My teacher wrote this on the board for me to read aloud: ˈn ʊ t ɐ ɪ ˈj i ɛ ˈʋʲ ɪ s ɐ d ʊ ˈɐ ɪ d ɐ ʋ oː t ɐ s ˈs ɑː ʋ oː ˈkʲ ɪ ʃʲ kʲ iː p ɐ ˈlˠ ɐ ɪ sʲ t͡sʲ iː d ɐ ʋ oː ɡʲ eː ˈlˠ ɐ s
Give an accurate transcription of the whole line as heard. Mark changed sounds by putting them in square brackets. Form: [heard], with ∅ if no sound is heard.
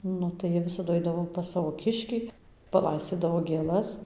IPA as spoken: ˈn ʊ t ɐ ɪ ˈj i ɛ ˈʋʲ ɪ s ɐ d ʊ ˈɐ ɪ d ɐ ʋ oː [p] ɐ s ˈs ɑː ʋ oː ˈkʲ ɪ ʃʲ kʲ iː p ɐ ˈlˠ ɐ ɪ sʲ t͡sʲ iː d ɐ ʋ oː ɡʲ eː ˈlˠ ɐ s